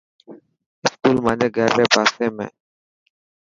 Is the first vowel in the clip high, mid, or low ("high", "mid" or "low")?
high